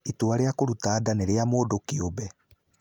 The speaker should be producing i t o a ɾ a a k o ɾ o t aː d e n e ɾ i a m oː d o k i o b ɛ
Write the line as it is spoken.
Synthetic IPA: i t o a ɾ e a k o ɾ u t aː d a n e ɾ e a m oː d o k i o b ɛ